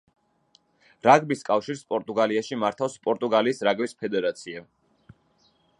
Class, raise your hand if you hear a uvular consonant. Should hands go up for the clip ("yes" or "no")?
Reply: no